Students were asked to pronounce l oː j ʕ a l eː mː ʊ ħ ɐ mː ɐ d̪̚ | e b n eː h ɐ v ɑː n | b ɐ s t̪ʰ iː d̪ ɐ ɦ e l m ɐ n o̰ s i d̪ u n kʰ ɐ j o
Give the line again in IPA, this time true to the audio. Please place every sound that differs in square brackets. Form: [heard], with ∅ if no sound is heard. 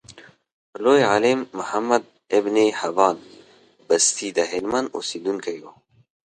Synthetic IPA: l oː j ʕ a l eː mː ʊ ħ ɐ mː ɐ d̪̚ | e b n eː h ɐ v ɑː n | b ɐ s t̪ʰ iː d̪ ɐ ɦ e l m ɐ n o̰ s i d̪ u n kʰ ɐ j o